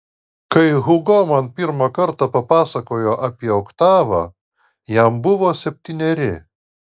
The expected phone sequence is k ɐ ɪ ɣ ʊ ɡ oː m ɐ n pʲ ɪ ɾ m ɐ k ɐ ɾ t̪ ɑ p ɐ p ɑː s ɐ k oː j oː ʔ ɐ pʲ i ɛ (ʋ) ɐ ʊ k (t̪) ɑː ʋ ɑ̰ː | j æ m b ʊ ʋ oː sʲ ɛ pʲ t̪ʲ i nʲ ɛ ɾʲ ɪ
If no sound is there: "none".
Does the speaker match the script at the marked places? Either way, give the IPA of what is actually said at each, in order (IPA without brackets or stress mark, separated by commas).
none, t̪